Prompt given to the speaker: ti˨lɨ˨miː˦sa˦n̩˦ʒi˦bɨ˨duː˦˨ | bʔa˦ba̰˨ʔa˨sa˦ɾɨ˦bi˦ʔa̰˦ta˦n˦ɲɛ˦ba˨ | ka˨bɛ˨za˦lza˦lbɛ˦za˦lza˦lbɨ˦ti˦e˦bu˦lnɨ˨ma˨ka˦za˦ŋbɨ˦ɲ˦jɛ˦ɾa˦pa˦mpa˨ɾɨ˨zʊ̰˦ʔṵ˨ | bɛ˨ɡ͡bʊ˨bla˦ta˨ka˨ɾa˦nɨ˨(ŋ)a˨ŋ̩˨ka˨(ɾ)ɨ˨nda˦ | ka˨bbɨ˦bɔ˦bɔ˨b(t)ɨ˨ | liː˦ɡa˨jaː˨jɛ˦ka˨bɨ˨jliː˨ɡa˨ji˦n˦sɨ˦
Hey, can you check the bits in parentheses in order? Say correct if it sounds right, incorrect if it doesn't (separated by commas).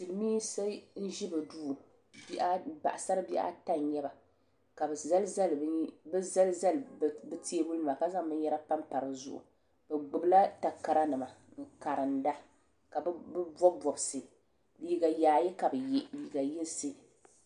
incorrect, correct, incorrect